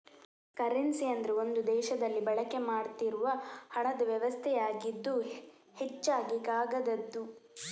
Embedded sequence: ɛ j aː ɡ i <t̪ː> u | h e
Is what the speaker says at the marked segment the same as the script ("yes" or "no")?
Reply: no